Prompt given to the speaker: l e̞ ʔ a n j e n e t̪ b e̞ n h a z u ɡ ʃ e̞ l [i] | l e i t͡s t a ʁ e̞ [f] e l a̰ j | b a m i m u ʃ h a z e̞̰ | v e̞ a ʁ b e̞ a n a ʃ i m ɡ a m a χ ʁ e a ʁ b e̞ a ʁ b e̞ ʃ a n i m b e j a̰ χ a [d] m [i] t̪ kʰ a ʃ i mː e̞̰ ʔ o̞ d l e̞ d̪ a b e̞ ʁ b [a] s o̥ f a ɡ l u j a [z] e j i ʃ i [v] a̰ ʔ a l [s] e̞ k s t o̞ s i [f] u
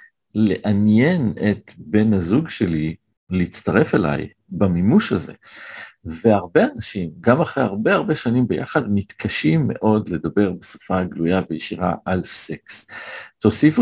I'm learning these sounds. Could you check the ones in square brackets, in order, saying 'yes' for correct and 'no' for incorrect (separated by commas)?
yes, yes, yes, yes, no, no, no, yes, yes